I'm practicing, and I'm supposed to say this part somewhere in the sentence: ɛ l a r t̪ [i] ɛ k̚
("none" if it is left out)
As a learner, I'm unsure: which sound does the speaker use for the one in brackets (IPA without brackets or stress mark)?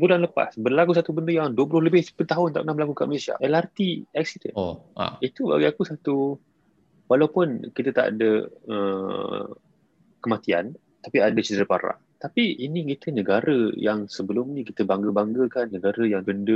i